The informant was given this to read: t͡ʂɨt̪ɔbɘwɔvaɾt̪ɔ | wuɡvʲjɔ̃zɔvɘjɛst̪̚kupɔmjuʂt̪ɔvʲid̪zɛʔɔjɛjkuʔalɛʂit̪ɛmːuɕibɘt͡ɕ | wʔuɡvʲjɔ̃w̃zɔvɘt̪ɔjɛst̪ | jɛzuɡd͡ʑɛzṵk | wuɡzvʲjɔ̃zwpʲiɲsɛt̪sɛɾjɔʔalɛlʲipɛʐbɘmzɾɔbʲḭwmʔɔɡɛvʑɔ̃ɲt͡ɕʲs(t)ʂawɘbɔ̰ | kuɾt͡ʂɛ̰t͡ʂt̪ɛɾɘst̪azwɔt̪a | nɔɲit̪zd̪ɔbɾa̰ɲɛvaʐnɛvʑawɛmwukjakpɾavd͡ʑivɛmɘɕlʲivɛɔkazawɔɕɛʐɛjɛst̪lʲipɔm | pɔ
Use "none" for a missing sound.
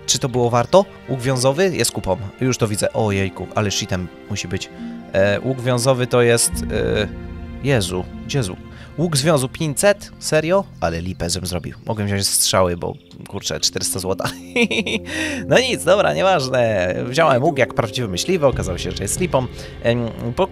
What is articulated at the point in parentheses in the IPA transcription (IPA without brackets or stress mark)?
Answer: t